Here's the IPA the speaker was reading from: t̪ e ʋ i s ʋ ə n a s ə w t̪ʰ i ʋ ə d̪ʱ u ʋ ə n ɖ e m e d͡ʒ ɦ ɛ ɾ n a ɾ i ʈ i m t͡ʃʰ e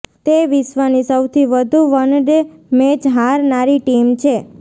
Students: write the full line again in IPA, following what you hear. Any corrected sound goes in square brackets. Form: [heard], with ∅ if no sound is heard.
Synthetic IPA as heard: t̪ e ʋ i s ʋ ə n [i] s ə w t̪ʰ i ʋ ə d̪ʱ u ʋ ə n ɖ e m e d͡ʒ ɦ [a] ɾ n a ɾ i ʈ i m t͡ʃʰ e